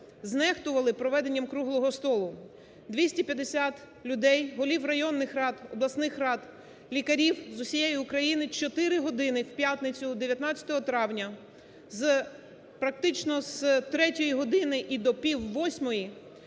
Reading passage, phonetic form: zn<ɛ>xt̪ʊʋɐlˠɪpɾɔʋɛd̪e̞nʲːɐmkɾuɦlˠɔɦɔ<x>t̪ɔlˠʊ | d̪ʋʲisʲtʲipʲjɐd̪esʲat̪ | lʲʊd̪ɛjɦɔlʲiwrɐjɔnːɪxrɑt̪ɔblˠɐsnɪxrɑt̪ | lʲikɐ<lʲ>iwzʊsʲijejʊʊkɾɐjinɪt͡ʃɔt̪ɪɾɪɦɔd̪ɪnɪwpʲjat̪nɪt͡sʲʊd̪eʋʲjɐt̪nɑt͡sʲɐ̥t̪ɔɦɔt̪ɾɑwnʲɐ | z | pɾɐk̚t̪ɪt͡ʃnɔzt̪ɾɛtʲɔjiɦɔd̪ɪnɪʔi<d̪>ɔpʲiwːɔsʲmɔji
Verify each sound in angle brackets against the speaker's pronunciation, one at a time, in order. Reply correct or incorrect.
correct, incorrect, incorrect, correct

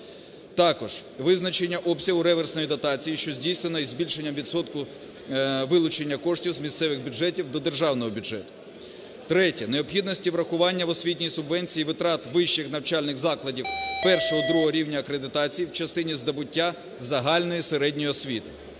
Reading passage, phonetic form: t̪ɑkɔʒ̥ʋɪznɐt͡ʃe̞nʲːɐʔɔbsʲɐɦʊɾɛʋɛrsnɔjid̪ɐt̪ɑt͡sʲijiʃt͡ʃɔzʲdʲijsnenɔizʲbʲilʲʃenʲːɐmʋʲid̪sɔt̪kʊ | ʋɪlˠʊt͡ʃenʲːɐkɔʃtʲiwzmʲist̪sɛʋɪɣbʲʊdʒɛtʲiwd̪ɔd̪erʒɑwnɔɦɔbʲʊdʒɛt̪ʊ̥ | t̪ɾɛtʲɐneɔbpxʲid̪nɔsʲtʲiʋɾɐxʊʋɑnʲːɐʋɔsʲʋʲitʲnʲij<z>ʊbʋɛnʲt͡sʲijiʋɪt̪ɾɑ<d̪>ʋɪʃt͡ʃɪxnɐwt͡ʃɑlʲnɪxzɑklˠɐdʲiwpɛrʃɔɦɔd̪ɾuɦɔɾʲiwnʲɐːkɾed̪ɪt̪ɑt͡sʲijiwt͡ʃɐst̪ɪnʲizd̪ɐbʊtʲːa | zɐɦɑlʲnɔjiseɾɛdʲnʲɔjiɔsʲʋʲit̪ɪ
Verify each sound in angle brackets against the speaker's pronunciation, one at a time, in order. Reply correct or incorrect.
incorrect, incorrect

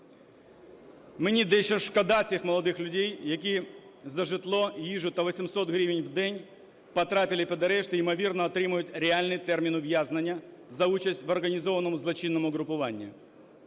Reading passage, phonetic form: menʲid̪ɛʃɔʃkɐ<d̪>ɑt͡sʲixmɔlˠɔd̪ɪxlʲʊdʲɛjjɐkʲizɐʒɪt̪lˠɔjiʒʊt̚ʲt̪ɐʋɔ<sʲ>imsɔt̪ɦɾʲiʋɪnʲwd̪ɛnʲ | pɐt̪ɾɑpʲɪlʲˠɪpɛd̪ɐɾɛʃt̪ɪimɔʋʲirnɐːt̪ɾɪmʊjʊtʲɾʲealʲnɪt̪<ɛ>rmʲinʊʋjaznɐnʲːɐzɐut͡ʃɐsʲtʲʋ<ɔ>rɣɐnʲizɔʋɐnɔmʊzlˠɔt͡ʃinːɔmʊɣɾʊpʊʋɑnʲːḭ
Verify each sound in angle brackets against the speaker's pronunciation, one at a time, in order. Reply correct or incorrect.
correct, correct, correct, correct

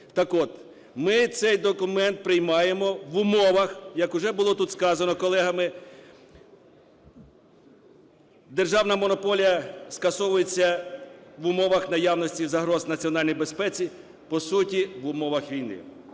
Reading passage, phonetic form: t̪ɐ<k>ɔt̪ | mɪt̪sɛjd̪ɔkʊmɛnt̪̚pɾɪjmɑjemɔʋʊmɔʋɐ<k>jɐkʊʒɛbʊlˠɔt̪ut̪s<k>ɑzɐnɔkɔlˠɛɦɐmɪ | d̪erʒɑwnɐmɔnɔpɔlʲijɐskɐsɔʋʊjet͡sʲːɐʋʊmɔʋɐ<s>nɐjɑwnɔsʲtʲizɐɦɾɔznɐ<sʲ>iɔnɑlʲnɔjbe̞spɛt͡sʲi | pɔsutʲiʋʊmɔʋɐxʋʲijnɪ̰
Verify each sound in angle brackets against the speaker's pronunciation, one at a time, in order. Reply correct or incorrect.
correct, incorrect, correct, incorrect, incorrect

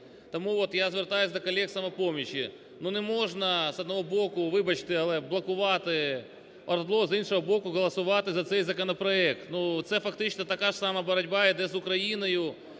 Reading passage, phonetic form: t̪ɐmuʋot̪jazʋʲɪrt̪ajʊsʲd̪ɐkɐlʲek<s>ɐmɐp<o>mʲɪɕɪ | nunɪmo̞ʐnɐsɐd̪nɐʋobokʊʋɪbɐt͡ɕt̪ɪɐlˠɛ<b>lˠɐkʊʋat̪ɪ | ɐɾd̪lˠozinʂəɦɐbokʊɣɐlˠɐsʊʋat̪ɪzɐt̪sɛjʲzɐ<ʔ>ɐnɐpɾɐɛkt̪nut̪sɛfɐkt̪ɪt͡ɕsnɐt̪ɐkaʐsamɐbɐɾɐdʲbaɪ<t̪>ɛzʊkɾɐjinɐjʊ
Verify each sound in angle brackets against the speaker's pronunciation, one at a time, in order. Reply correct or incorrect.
correct, correct, correct, incorrect, incorrect

